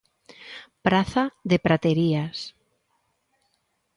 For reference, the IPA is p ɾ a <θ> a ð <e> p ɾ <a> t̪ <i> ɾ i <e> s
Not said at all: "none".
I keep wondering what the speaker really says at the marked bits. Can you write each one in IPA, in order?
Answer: θ, e, a, e, a

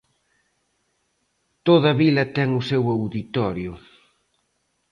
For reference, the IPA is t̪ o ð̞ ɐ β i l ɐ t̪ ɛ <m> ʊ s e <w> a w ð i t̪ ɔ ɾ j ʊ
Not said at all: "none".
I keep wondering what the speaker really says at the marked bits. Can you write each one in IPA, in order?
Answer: ŋ, w

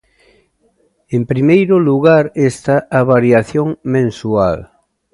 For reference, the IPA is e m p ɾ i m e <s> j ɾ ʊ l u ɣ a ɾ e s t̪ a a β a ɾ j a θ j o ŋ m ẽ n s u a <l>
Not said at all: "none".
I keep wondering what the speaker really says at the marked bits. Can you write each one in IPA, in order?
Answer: none, l

